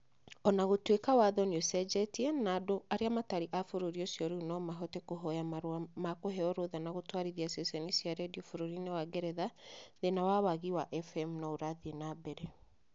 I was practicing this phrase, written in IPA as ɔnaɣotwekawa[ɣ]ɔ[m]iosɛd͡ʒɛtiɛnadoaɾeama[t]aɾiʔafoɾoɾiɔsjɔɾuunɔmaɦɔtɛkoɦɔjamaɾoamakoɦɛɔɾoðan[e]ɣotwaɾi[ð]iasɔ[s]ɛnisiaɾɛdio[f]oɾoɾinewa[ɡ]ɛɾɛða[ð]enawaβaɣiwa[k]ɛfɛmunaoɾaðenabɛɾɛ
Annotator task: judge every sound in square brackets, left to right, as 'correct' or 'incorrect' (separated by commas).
incorrect, incorrect, correct, incorrect, correct, correct, correct, correct, correct, incorrect